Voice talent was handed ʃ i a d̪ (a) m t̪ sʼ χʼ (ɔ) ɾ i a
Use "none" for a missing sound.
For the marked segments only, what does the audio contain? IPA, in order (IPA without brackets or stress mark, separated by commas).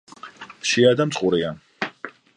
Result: a, u